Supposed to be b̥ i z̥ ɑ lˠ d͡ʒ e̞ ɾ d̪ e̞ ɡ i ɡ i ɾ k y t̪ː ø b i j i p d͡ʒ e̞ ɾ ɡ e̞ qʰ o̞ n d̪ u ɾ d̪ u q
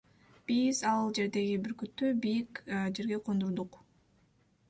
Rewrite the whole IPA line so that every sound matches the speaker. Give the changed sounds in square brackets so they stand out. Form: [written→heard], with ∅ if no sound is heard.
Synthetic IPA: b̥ i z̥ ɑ lˠ d͡ʒ e̞ ɾ d̪ e̞ ɡ i [ɡ→b] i ɾ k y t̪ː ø b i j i [p→k] d͡ʒ e̞ ɾ ɡ e̞ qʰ o̞ n d̪ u ɾ d̪ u q